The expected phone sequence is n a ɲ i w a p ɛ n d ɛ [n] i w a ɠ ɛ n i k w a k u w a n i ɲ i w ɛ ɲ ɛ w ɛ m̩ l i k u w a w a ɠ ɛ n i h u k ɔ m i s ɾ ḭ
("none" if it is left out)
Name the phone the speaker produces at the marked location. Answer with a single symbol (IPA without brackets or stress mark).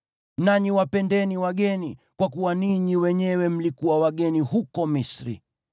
n